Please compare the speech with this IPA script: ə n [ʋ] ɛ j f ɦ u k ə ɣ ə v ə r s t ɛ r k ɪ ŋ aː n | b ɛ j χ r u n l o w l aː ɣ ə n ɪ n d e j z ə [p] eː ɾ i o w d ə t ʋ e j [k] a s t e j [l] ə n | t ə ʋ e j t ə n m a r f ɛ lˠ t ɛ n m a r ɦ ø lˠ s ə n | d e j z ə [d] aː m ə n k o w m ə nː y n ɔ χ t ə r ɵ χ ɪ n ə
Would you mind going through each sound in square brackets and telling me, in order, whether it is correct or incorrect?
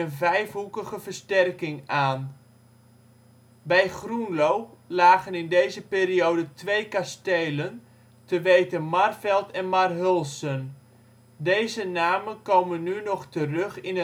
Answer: incorrect, correct, correct, correct, incorrect

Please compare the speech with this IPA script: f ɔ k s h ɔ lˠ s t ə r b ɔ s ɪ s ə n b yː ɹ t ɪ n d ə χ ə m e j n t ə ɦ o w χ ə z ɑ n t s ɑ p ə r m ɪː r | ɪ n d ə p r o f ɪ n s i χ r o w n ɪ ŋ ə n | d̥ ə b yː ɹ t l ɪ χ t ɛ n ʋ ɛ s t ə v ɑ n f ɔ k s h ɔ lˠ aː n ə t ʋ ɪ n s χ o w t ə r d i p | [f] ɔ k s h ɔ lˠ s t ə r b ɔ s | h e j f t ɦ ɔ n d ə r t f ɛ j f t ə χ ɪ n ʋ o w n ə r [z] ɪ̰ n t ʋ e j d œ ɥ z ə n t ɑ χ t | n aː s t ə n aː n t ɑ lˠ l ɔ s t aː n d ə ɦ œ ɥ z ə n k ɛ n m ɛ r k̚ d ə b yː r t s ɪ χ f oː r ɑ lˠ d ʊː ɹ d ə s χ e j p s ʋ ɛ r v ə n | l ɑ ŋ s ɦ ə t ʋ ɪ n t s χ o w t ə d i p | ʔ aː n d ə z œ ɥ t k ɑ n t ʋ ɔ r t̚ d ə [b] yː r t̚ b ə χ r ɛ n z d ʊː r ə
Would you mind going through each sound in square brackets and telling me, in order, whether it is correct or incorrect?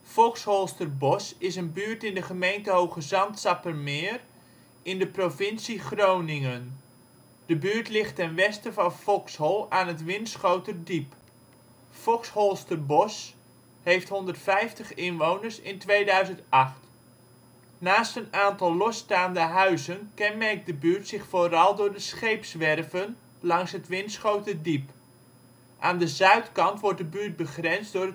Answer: correct, incorrect, correct

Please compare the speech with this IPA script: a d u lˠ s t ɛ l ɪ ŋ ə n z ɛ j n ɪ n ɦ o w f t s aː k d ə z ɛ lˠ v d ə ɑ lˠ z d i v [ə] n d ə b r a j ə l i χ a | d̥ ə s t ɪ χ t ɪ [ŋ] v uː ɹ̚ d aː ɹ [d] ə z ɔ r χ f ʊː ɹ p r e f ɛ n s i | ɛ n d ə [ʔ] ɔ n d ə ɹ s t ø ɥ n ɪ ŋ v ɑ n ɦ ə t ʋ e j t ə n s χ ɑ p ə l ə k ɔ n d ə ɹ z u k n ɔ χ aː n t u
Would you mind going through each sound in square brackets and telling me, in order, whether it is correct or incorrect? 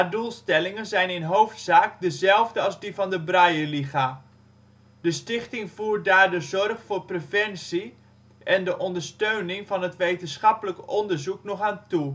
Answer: incorrect, correct, correct, correct

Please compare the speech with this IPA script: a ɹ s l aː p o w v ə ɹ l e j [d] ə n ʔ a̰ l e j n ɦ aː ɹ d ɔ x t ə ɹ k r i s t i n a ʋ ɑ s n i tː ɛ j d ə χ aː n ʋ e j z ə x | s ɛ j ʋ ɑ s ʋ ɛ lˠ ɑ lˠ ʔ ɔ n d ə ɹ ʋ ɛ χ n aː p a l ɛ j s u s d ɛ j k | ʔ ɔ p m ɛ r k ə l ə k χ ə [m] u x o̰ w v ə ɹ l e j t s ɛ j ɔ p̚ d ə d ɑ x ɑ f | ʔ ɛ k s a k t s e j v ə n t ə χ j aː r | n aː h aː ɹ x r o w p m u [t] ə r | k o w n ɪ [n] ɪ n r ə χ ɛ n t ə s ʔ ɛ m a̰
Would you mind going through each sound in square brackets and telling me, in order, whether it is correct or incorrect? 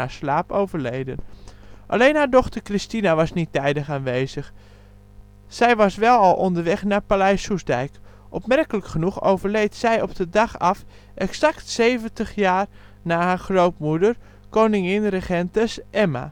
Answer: correct, incorrect, incorrect, incorrect

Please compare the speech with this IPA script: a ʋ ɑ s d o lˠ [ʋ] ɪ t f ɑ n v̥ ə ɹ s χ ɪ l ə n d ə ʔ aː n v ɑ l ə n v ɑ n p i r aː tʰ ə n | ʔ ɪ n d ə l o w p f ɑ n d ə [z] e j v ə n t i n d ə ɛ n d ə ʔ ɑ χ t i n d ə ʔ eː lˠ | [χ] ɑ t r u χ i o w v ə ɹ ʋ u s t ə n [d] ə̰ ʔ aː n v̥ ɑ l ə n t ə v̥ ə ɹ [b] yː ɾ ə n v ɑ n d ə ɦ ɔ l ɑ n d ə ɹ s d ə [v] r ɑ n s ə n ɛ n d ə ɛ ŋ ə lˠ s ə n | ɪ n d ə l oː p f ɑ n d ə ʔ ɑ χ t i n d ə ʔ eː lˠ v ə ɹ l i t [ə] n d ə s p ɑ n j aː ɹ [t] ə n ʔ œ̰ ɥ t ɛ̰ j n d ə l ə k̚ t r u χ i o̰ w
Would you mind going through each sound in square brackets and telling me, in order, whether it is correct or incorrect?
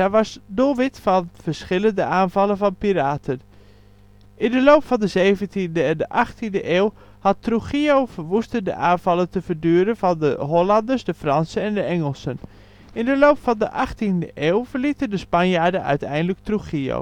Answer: correct, correct, incorrect, correct, incorrect, incorrect, correct, incorrect

